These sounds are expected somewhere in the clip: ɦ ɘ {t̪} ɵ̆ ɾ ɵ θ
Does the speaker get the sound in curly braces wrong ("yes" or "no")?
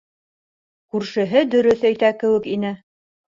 yes